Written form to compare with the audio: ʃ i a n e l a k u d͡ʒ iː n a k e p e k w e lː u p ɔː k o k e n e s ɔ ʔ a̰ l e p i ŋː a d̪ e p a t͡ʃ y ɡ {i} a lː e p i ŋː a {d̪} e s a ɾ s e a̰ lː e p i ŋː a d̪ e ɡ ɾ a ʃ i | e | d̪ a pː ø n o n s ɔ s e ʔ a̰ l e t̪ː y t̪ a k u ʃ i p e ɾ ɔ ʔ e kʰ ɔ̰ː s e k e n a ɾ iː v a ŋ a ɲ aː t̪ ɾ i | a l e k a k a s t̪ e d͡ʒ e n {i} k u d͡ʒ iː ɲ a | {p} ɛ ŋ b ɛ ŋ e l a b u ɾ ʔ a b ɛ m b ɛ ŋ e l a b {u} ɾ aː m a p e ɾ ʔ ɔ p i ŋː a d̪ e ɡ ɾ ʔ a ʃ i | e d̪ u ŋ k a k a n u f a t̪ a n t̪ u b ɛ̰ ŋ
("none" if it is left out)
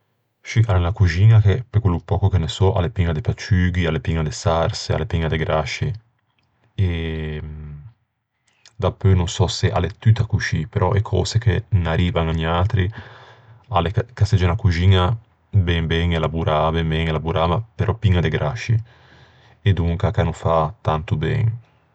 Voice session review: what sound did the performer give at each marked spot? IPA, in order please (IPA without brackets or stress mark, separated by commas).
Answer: i, d̪, a, b, u